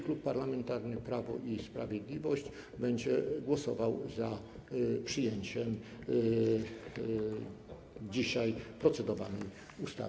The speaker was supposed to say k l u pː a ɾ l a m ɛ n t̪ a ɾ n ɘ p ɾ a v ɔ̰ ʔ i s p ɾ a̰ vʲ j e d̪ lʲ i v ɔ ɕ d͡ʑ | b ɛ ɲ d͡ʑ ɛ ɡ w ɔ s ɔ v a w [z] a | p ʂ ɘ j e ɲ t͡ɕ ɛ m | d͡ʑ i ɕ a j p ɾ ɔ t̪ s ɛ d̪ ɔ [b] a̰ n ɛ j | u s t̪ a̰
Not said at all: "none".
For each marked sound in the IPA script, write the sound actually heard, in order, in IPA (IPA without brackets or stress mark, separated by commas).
z, v